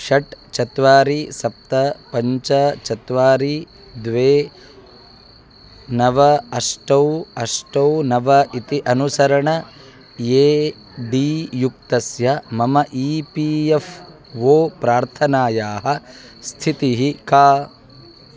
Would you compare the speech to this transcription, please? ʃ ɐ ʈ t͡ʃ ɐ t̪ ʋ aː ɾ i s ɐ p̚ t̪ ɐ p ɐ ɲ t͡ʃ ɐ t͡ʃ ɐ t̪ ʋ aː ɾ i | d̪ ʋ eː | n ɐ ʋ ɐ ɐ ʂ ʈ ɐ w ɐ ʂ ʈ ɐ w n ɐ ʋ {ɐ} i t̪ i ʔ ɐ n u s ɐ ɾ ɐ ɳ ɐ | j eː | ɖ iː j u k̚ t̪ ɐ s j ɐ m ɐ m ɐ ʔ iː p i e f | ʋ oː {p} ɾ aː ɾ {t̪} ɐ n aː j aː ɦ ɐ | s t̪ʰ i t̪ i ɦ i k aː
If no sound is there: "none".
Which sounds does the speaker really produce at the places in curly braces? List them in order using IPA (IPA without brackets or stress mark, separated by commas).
ɐ, p, t̪ʰ